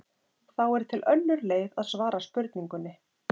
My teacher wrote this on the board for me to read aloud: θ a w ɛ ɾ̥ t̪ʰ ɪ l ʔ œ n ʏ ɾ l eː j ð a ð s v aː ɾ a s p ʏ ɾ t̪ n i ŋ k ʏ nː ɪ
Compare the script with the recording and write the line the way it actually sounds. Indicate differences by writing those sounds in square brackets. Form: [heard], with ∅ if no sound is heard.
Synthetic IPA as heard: θ a w ɛ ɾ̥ t̪ʰ ɪ l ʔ œ [nː] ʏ ɾ l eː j ð a ð s v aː ɾ a s p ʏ ɾ t̪ n i ŋ k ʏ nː ɪ